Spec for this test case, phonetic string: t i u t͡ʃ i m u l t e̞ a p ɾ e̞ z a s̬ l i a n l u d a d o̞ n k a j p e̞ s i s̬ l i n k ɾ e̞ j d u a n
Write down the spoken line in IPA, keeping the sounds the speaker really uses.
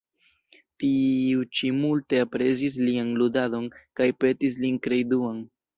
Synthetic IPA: t i u t͡ʃ i m u l t e̞ a p ɾ e̞ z i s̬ l i a n l u d a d o̞ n k a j p e̞ t i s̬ l i n k ɾ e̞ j d u a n

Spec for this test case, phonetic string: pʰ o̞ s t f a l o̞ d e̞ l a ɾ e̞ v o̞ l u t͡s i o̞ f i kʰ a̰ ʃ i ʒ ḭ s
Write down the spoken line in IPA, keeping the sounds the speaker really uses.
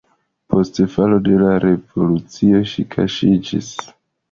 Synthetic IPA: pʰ o̞ s t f a l o̞ d e̞ l a ɾ e̞ v o̞ l u t͡s i o̞ ʃ i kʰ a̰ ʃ i d͡ʒ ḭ s

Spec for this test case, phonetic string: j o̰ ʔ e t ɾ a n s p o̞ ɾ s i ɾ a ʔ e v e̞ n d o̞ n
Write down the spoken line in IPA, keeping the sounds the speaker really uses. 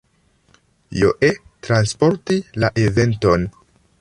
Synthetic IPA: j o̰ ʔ e t ɾ a n s p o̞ ɾ t i l a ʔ e v e̞ n t o̞ n

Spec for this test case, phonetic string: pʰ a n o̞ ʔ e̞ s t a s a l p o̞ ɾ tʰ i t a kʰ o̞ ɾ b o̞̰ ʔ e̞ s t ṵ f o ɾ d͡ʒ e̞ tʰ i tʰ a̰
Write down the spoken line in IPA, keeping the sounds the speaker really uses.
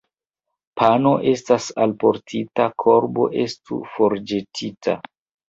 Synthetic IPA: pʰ a n o̞ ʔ e̞ s t a s a l p o̞ ɾ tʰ i t a kʰ o̞ ɾ b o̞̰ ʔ e̞ s t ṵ f o ɾ d͡ʒ e̞ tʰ i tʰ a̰

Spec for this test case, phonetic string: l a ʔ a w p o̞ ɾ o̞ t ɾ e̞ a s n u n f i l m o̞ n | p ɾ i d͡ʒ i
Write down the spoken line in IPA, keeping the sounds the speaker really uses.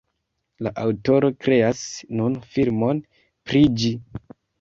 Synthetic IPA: l a ʔ a w t o̞ ɾ o̞ k ɾ e̞ a s n u n f i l m o̞ n | p ɾ i d͡ʒ i

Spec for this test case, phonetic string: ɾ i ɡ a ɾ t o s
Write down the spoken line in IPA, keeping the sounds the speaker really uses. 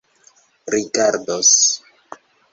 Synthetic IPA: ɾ i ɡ a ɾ d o s

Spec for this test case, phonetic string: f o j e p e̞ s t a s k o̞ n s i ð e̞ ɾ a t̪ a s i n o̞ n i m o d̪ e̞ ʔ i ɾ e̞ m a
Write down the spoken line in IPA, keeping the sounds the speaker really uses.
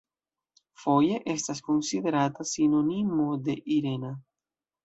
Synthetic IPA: f o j e ʔ e̞ s t a s k o̞ n s i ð e̞ ɾ a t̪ a s i n o̞ n i m o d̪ e̞ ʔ i ɾ e̞ n a

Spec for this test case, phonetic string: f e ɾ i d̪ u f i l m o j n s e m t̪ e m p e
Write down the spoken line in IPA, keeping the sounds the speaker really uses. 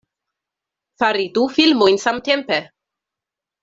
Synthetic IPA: f a ɾ i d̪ u f i l m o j n s a m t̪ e m p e

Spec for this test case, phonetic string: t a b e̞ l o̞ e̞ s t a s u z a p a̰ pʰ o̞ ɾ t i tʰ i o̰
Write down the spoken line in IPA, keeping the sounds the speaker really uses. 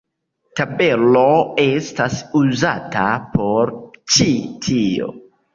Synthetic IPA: t a b e̞ l o̞ e̞ s t a s u z a t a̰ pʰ o̞ ɾ t͡ʃ i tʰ i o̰

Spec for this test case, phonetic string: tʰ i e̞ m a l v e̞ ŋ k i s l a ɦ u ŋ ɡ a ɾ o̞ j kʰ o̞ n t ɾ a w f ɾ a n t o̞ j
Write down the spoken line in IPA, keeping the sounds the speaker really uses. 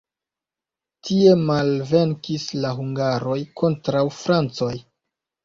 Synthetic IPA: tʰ i e̞ m a l v e̞ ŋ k i s l a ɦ u ŋ ɡ a ɾ o̞ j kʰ o̞ n t ɾ a w f ɾ a n t͡s o̞ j

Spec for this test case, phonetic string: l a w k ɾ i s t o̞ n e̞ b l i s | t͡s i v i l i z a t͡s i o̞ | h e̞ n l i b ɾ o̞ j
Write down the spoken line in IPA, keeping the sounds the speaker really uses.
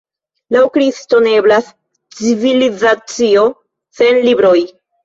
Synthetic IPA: l a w k ɾ i s t o̞ n e̞ b l a s | t͡s i v i l i z a t͡s i o̞ | s e̞ n l i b ɾ o̞ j

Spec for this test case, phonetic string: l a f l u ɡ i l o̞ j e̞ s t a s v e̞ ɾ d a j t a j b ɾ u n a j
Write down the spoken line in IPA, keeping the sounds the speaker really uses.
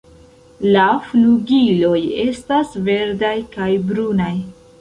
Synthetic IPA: l a f l u ɡ i l o̞ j e̞ s t a s v e̞ ɾ d a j k a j b ɾ u n a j

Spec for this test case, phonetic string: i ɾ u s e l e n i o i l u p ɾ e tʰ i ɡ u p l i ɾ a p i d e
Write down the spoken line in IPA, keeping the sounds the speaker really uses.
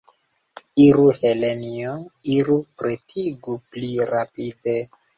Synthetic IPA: i ɾ u h e l e n i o i ɾ u p ɾ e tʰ i ɡ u p l i ɾ a p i d e

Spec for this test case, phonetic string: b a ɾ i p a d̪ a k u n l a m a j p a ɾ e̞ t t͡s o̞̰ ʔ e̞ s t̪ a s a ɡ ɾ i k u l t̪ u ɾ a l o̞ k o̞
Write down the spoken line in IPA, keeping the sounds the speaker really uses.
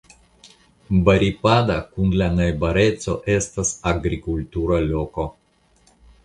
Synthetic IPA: b a ɾ i p a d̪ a k u n l a n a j b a ɾ e̞ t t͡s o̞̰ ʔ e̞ s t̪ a s a ɡ ɾ i k u l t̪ u ɾ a l o̞ k o̞

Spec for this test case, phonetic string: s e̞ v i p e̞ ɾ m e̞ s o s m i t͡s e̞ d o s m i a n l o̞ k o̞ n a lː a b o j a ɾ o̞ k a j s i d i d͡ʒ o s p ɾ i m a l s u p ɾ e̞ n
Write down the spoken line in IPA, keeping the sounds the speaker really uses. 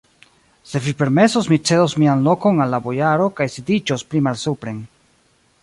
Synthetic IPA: s e̞ v i p e̞ ɾ m e̞ s o s m i t͡s e̞ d o s m i a n l o̞ k o̞ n a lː a b o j a ɾ o̞ k a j s i d i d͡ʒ o s p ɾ i m a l s u p ɾ e̞ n

